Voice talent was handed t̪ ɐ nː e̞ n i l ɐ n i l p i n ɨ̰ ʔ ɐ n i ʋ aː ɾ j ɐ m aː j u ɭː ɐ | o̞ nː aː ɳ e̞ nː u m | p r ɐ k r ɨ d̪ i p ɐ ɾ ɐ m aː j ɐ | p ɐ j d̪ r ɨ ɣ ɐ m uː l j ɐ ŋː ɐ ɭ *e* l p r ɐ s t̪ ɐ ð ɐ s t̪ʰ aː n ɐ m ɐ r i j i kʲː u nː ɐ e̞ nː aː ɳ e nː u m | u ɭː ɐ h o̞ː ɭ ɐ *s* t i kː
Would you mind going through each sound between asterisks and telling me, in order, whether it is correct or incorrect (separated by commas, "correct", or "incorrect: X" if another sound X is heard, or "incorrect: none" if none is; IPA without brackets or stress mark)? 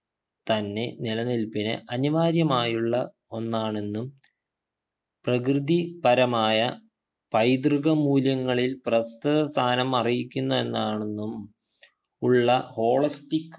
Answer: incorrect: i, correct